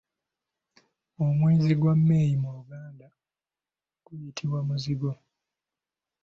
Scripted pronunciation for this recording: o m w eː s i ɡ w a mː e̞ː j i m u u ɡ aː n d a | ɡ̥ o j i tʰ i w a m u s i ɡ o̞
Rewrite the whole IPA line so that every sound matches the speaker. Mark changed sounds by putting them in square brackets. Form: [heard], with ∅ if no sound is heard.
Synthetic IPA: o m w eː [z] i ɡ w a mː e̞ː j i m u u ɡ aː n d a | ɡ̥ [u] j i tʰ i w a m u [z] i ɡ o̞